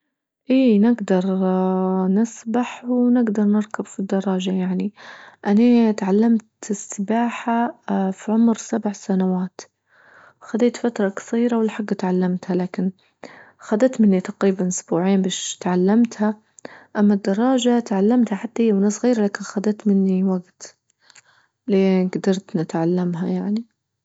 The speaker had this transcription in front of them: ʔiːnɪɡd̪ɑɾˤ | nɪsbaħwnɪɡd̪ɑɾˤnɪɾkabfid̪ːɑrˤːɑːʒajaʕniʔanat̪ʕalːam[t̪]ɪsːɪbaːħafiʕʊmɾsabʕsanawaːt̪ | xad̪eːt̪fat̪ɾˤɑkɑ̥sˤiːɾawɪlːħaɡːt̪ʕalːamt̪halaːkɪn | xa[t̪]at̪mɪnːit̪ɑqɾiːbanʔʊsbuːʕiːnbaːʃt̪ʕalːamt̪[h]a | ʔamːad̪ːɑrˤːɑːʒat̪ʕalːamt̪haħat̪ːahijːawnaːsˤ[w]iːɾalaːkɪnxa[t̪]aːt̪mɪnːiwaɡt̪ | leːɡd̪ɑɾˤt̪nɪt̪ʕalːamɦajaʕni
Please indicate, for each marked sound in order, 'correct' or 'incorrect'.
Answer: correct, incorrect, correct, incorrect, incorrect

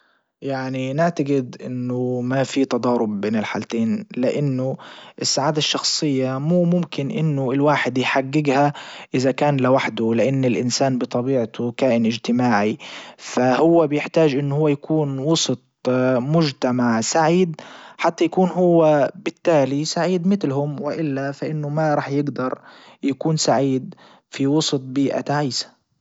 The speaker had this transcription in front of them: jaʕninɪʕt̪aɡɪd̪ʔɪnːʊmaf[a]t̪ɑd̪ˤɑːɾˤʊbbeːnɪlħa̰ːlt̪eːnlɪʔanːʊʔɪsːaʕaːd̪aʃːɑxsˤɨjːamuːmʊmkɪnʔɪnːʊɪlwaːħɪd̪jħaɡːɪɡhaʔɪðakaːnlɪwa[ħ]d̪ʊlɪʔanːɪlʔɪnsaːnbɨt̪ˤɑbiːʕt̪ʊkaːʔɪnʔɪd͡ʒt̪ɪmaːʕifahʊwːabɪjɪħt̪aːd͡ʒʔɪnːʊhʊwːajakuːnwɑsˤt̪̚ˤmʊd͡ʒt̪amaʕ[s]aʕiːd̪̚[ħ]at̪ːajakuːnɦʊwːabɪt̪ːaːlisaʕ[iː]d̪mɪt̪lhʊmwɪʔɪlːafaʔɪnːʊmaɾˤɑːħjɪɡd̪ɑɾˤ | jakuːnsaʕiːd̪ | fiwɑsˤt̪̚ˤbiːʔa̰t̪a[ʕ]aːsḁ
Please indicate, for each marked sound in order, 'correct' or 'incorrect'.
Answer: incorrect, correct, correct, correct, correct, correct

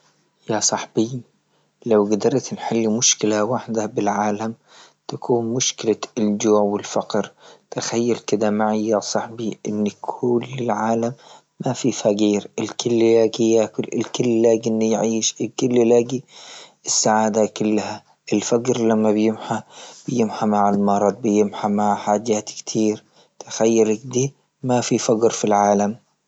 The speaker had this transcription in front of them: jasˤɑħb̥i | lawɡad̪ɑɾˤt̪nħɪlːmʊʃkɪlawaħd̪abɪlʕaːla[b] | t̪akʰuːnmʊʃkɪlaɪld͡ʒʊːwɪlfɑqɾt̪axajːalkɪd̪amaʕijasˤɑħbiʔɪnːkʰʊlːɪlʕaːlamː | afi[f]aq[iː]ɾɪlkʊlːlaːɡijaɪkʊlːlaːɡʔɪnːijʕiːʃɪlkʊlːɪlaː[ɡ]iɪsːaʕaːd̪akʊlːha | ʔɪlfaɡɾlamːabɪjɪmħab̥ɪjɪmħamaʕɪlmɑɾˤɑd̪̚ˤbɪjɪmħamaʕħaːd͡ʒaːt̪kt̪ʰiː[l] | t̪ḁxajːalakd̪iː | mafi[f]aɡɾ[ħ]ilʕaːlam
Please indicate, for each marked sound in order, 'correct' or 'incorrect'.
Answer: incorrect, correct, correct, correct, incorrect, correct, incorrect

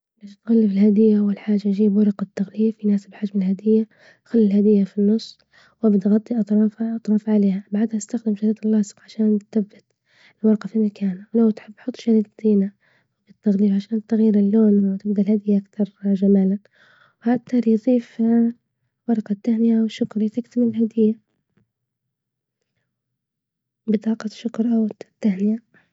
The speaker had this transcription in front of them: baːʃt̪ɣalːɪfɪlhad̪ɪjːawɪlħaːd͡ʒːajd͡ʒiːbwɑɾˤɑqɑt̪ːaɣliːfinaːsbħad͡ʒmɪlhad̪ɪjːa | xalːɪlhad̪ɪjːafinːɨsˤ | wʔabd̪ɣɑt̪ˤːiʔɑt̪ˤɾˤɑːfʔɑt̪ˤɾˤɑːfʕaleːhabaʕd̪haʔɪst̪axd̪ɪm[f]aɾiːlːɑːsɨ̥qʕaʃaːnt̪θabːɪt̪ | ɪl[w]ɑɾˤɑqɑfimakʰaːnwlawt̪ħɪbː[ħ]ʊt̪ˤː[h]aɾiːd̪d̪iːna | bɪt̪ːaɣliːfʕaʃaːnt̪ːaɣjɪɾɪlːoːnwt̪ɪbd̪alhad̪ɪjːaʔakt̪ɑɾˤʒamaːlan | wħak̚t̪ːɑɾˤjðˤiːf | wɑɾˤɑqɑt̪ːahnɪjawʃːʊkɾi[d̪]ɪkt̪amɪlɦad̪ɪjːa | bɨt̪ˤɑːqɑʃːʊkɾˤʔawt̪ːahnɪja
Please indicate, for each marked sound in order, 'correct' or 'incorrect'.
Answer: incorrect, correct, correct, incorrect, incorrect

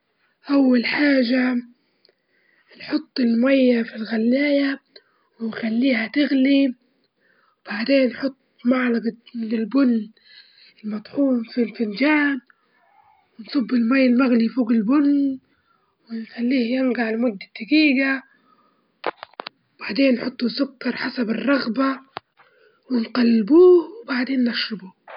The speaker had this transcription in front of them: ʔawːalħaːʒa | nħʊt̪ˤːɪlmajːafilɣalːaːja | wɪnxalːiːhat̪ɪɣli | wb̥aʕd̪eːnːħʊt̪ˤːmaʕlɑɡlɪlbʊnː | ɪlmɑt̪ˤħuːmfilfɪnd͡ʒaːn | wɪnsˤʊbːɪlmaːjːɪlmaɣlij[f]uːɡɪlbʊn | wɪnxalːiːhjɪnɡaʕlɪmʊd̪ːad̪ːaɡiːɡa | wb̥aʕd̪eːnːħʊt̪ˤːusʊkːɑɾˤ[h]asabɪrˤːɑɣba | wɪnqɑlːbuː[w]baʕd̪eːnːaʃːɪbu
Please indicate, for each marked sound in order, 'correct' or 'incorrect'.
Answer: correct, incorrect, correct

